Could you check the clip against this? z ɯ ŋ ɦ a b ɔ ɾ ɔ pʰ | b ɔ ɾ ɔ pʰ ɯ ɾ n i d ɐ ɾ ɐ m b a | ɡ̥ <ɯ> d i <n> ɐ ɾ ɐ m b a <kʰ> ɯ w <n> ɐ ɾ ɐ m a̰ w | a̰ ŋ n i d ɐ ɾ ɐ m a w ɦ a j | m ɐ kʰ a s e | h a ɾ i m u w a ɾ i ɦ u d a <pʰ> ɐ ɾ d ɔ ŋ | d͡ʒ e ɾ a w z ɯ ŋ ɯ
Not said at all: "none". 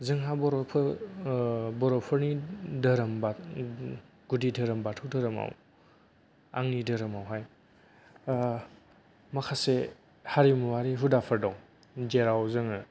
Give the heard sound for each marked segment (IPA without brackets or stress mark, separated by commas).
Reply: u, d, tʰ, d, pʰ